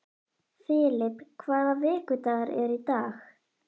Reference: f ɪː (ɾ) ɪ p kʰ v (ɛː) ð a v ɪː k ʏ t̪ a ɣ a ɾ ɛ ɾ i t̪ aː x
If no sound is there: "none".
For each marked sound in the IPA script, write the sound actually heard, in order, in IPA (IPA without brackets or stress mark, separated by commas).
l, aː